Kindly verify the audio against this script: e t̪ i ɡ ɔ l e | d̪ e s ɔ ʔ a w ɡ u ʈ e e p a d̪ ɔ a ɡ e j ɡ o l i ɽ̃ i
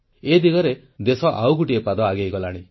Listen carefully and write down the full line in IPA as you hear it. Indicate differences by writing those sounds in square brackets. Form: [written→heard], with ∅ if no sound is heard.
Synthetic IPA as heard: e [t̪→d̪] i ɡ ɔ [l→ɾ] e | d̪ e s ɔ ʔ a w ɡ u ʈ [e→i] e p a d̪ ɔ a ɡ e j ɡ [o→ɔ] l [i→a] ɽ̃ i